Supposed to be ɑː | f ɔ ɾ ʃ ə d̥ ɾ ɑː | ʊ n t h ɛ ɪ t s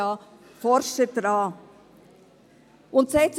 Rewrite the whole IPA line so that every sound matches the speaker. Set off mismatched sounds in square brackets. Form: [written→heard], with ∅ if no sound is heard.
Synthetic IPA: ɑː | f ɔ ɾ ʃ ə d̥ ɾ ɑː | ʊ n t [h→s] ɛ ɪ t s